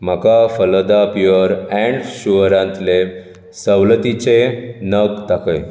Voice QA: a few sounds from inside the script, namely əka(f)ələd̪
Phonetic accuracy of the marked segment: correct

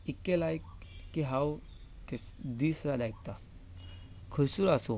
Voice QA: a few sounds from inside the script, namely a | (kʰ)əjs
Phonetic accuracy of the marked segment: correct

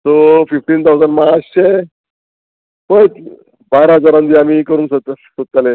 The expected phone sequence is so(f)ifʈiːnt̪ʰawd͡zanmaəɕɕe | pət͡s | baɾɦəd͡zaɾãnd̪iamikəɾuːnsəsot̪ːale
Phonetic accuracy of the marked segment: correct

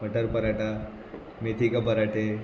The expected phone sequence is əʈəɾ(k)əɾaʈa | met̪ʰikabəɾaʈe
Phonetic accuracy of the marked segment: incorrect: p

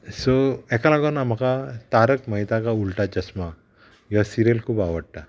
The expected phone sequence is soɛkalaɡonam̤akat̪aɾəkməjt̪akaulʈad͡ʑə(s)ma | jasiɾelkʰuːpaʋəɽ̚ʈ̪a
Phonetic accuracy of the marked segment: correct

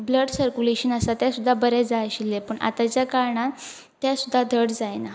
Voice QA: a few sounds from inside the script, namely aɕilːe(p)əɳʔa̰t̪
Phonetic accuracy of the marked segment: correct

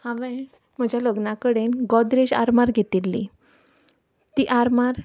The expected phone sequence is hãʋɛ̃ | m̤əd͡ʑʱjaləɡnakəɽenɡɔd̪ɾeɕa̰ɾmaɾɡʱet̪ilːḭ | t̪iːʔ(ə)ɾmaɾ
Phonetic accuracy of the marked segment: incorrect: a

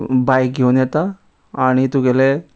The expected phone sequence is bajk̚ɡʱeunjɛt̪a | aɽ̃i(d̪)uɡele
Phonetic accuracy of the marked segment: incorrect: t̪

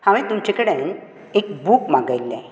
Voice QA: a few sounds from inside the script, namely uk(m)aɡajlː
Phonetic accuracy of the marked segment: correct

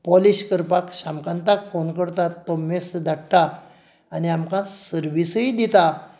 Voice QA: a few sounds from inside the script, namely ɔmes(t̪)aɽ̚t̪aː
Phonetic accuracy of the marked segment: incorrect: d̪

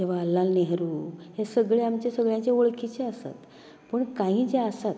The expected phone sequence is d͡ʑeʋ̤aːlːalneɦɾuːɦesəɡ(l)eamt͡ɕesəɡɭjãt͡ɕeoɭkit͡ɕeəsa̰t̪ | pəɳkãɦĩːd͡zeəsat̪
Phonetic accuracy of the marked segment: incorrect: ɭ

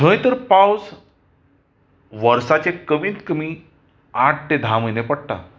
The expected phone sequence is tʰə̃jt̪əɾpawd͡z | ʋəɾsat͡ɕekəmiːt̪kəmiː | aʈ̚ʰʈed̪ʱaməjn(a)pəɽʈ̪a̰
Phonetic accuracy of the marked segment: incorrect: e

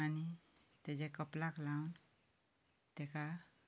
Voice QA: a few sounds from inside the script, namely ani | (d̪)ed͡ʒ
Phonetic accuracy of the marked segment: incorrect: t̪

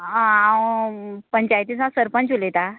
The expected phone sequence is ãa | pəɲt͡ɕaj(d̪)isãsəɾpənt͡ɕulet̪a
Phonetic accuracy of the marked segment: incorrect: t̪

